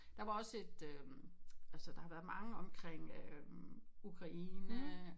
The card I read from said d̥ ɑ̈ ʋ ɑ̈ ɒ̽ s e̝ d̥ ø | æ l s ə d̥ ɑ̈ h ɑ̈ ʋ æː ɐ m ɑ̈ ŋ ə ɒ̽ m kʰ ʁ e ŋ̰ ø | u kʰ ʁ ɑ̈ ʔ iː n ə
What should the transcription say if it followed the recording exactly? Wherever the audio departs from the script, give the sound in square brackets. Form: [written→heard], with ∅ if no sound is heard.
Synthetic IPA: d̥ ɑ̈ ʋ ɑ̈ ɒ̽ s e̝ d̥ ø | æ l s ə d̥ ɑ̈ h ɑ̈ ʋ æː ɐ m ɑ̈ ŋ ə ɒ̽ m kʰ ʁ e ŋ̰ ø | u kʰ ʁ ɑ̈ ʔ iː n ə